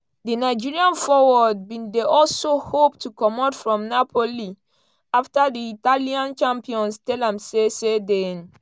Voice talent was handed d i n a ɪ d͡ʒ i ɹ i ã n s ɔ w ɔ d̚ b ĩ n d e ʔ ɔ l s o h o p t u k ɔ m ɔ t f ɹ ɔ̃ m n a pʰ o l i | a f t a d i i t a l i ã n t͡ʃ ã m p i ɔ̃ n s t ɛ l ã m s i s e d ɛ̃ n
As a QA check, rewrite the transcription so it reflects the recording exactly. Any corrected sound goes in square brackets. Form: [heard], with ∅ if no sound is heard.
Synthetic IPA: d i n a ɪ d͡ʒ i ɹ i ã n [f] ɔ w ɔ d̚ b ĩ n d e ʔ ɔ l s o h o p t u k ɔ m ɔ t f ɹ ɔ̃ m n a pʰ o l i | a f t a d i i t a l i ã n t͡ʃ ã m p i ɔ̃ n s t ɛ l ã m s [e] s e d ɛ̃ n